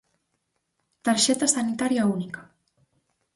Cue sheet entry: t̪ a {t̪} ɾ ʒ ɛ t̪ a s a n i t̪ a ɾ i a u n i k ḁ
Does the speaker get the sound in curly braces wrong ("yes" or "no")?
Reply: yes